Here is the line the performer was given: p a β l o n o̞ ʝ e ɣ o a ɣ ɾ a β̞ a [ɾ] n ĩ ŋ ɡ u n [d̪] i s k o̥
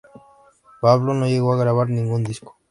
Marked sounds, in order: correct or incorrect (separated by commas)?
correct, correct